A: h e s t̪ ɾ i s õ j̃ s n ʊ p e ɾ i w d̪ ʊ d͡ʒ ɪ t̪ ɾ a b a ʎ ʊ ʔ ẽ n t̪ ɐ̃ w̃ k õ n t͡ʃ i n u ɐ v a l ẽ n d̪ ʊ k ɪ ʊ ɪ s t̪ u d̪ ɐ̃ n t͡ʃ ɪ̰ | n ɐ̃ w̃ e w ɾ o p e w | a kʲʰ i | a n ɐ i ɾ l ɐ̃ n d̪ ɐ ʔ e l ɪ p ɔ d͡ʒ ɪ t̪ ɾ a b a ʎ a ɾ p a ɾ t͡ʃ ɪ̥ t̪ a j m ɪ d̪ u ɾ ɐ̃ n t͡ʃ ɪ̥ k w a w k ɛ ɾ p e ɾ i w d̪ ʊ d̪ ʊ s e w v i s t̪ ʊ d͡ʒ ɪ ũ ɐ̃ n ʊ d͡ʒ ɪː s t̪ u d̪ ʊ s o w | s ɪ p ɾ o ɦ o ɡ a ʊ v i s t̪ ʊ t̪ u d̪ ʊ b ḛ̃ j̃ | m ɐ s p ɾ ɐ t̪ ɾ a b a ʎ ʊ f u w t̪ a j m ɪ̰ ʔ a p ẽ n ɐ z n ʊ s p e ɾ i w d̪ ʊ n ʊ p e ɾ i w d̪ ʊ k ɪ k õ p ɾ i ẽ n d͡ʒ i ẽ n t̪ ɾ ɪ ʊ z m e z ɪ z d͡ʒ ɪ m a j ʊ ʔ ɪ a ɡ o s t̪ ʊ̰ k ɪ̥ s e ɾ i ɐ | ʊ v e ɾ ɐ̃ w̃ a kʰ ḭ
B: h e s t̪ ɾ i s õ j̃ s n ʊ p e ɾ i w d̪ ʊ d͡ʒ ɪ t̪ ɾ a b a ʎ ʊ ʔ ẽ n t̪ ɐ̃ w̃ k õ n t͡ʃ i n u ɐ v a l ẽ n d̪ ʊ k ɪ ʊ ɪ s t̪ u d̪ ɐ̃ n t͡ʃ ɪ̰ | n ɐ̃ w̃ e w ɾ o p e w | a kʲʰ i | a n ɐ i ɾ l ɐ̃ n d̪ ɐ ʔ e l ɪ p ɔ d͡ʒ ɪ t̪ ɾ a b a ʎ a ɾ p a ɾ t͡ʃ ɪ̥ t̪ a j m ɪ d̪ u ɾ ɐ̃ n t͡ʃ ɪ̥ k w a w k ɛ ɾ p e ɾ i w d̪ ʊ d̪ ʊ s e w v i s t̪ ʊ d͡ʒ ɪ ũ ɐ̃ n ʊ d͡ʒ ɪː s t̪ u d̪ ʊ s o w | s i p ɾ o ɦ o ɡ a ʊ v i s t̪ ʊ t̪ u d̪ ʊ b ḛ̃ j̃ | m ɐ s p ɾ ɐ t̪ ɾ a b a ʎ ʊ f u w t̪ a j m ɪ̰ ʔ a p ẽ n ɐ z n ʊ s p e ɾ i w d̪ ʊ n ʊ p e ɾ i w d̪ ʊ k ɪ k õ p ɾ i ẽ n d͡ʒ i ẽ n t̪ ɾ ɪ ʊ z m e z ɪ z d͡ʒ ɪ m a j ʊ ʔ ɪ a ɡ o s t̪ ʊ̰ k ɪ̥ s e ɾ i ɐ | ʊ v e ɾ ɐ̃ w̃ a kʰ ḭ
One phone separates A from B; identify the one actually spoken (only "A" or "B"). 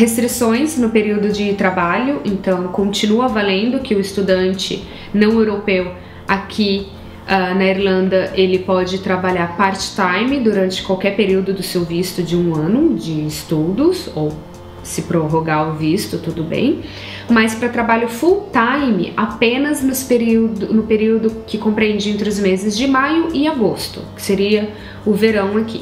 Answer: A